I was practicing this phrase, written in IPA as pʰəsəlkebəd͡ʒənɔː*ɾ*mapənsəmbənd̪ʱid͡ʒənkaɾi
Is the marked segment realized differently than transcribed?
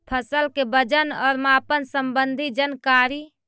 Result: no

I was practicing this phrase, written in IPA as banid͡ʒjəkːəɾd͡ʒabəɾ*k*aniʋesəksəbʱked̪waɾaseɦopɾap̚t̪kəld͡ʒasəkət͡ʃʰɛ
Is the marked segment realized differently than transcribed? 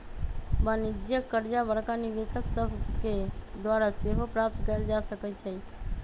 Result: no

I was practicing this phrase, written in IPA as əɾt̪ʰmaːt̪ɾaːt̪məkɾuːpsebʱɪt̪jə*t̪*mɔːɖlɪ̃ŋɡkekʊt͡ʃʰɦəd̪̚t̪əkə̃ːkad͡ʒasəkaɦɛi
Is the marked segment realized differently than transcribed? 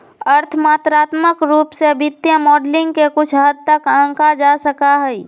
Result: yes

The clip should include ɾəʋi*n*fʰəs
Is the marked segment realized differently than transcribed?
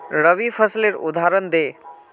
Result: yes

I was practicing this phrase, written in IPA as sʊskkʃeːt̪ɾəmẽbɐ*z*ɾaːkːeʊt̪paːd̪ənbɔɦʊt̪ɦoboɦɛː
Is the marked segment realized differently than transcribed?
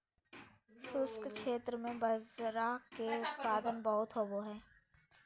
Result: no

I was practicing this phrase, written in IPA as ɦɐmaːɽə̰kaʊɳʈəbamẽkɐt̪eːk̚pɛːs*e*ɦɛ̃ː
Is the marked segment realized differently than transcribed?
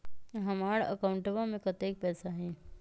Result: yes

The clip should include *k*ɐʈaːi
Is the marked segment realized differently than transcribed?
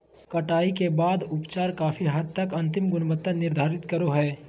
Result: no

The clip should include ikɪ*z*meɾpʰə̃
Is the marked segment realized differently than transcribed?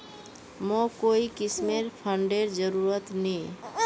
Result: yes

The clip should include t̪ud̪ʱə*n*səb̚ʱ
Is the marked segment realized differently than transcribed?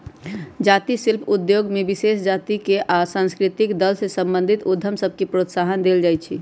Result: yes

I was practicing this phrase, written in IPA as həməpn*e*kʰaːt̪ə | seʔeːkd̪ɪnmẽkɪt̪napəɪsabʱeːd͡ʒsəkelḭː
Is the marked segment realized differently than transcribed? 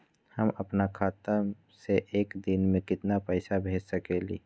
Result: yes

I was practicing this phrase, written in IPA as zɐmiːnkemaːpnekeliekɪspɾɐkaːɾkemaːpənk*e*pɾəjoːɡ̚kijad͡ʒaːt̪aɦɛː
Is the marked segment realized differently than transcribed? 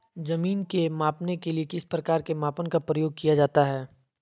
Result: yes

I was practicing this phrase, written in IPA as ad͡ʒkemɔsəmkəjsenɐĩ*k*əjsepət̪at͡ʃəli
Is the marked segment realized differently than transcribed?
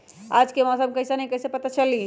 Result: no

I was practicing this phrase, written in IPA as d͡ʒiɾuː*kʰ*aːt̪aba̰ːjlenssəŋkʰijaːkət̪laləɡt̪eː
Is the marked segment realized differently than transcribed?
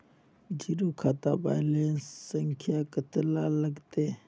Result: no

